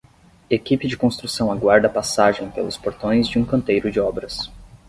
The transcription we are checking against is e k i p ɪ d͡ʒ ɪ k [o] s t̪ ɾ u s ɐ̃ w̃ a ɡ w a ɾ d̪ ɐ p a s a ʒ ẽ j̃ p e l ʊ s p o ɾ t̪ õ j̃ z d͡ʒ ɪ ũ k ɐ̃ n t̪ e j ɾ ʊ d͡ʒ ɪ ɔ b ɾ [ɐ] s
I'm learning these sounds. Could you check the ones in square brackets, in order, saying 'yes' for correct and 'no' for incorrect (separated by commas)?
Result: no, yes